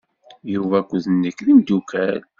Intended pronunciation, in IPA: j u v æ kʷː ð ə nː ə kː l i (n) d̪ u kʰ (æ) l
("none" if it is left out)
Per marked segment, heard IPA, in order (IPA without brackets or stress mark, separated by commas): m, æ